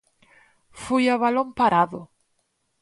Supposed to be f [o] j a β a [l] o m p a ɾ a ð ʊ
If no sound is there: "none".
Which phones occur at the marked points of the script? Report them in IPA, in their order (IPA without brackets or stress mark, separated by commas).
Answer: u, l